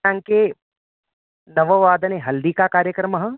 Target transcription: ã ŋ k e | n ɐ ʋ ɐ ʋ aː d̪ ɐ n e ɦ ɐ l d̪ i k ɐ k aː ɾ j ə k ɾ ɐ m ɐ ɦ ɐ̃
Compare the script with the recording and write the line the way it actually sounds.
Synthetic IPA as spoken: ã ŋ k e | n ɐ ʋ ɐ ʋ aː d̪ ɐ n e ɦ ɐ l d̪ i k a k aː ɾ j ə k ɾ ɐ m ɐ ɦ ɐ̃